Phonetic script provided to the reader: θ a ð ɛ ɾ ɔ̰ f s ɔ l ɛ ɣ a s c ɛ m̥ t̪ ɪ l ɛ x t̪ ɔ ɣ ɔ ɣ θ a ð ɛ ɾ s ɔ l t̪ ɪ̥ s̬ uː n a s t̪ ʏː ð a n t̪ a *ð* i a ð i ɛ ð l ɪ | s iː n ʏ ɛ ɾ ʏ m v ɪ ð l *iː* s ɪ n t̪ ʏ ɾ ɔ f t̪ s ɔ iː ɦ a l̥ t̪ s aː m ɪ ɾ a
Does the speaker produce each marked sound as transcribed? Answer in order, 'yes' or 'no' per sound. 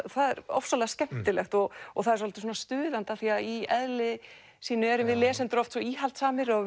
no, no

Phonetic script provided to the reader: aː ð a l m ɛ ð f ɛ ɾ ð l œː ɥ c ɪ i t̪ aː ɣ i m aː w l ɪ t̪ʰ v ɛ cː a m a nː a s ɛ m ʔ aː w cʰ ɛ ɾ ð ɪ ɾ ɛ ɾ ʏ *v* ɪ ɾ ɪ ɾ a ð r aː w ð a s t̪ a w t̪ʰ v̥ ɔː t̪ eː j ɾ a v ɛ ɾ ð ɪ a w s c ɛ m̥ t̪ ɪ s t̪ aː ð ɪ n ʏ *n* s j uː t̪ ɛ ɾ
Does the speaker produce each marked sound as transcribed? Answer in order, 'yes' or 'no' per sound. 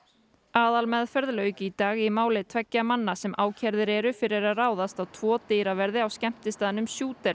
no, no

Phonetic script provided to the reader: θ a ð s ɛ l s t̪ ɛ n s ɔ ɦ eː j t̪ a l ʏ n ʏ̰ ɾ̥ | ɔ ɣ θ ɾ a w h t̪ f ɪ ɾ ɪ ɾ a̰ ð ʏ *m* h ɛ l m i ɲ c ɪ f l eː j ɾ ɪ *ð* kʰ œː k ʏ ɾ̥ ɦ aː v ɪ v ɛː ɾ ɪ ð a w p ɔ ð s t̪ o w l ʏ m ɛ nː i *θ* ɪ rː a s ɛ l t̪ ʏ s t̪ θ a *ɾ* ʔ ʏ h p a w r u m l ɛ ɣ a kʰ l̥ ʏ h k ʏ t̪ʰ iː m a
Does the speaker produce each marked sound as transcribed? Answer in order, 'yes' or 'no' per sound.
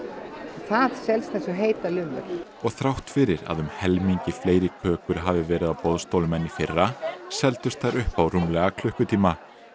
yes, no, no, yes

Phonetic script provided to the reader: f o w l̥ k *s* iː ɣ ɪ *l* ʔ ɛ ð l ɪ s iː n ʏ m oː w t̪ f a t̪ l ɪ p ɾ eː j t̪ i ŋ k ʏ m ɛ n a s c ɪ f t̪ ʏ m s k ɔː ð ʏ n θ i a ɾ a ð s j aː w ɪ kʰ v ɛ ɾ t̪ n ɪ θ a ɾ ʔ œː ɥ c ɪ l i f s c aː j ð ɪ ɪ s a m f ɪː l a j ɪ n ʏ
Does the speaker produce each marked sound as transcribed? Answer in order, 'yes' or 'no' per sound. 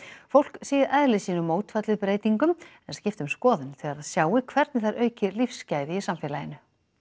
yes, no

